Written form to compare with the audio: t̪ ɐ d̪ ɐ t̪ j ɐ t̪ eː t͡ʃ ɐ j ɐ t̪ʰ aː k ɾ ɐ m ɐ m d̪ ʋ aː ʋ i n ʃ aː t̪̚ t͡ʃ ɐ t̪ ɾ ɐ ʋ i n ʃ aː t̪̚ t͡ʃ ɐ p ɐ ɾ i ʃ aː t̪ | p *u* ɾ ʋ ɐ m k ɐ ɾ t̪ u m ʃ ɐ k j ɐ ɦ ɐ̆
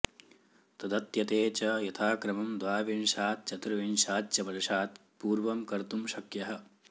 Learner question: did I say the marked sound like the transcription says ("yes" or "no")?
no